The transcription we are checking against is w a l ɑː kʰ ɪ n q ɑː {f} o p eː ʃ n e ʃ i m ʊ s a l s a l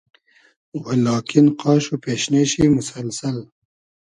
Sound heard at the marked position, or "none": ʃ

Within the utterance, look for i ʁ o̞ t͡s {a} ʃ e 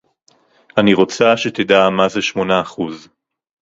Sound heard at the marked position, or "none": a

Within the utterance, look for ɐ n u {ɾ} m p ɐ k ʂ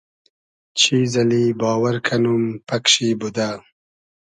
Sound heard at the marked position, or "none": none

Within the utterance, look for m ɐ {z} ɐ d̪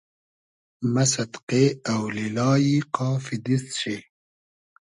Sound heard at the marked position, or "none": s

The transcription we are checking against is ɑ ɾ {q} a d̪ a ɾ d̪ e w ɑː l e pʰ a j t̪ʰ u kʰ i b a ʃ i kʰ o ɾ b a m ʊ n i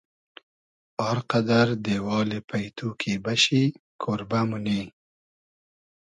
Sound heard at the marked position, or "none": q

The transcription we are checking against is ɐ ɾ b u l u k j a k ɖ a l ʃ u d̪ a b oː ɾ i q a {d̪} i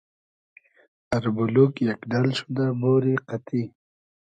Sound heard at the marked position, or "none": t̪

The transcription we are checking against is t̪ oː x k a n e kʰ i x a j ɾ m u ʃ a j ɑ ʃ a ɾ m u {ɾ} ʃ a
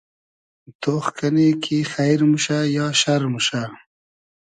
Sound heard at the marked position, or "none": none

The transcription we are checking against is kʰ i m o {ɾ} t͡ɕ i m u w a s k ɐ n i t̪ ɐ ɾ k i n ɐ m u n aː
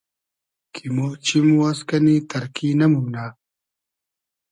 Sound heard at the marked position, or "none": none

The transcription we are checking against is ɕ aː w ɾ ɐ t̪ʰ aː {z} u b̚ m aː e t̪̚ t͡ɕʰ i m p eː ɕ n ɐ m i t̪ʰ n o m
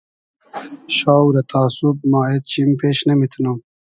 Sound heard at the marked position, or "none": s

